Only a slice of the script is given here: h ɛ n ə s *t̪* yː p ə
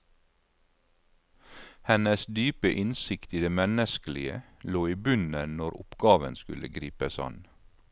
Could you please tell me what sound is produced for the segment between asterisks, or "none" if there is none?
d̪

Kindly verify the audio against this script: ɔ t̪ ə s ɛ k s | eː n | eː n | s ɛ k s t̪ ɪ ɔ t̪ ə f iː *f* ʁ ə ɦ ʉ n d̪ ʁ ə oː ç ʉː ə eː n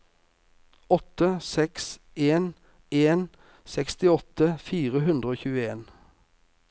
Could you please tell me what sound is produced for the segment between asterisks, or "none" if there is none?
none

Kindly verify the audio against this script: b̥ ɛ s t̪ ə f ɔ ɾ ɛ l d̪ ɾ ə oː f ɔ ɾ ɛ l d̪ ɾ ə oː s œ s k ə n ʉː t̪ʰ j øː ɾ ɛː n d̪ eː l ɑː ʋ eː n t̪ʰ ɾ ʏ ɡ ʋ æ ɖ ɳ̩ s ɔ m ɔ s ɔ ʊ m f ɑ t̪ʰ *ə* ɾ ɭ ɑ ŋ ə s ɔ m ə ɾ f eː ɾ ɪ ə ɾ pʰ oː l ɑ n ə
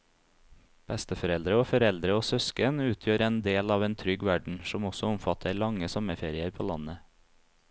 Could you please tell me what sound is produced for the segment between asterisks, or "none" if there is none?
ə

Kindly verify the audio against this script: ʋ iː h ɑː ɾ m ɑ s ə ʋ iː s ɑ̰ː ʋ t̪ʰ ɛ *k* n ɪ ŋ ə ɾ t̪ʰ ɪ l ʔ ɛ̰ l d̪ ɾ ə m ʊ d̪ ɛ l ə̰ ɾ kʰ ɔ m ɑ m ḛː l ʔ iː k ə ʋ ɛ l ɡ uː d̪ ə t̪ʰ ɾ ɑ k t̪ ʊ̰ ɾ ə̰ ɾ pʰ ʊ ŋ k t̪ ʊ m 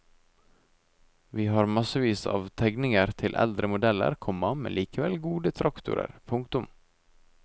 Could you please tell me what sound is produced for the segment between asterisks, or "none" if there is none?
ɡ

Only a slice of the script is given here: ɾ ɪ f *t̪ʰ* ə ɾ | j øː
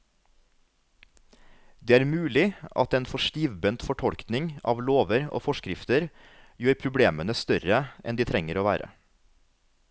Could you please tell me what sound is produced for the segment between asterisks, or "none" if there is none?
t̪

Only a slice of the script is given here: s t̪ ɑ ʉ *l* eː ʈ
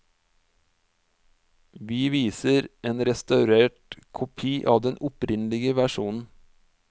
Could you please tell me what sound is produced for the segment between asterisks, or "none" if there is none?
ɾ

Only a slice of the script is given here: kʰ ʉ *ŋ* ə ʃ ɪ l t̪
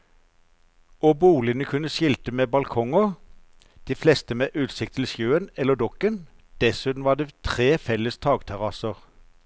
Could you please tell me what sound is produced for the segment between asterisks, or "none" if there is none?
n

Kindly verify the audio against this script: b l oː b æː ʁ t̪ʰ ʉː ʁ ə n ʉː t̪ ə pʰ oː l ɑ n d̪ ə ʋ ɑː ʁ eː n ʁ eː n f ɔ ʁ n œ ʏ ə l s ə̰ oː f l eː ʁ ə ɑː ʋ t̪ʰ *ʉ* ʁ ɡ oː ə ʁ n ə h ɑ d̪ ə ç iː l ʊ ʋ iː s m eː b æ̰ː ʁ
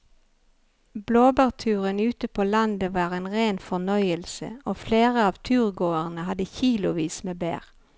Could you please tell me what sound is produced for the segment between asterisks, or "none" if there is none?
ʉː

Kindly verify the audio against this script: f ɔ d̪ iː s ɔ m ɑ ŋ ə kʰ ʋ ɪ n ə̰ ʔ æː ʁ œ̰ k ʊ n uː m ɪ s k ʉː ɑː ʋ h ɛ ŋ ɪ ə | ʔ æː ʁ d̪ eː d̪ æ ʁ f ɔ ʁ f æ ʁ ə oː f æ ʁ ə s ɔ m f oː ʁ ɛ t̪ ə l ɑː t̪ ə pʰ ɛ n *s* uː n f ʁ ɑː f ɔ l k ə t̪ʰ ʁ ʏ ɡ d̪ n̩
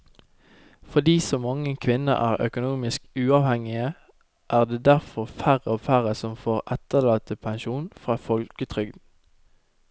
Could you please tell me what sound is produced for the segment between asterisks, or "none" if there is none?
ʃ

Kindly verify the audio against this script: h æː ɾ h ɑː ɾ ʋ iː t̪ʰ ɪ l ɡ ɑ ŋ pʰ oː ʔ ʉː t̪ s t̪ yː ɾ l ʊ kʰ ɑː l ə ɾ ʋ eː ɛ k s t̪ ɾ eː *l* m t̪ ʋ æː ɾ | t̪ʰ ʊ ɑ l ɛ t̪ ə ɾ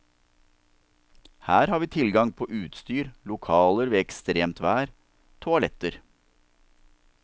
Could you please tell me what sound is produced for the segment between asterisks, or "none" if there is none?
none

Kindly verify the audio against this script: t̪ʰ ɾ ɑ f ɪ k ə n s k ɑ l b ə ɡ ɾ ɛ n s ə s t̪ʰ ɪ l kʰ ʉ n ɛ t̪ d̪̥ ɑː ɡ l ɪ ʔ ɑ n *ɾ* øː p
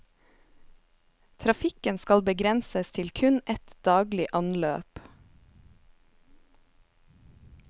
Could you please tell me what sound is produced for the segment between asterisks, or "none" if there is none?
l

